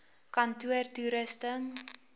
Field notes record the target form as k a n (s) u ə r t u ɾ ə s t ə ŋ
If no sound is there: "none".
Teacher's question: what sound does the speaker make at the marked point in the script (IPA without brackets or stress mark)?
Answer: t